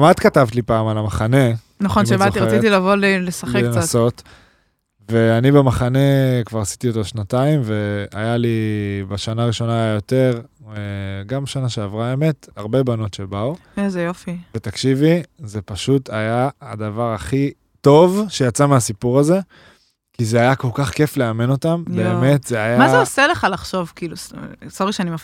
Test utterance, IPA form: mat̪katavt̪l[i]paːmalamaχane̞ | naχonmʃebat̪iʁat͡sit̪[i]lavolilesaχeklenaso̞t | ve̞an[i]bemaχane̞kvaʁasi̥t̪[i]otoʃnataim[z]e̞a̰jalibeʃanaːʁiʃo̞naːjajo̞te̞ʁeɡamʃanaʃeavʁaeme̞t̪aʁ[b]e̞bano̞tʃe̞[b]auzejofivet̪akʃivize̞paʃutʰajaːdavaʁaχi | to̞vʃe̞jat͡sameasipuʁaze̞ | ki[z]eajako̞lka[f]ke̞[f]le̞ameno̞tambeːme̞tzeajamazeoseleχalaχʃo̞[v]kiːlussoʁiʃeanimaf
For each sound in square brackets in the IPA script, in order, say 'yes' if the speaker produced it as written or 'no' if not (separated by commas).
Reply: yes, yes, yes, yes, no, yes, yes, yes, no, yes, yes